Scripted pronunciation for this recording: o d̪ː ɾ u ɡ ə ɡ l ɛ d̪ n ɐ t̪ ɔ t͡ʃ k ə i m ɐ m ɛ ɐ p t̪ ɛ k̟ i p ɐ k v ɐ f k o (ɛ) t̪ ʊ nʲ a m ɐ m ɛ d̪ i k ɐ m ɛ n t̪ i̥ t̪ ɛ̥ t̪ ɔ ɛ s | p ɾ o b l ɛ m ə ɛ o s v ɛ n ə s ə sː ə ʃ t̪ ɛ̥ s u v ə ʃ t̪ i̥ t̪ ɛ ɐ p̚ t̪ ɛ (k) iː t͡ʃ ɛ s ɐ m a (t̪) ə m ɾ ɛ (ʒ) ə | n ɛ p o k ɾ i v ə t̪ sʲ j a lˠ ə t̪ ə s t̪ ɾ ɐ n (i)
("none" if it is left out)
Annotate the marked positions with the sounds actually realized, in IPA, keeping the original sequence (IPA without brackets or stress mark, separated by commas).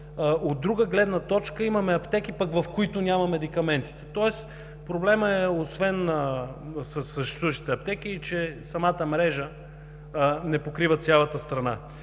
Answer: i, k, t̪, ʒ, a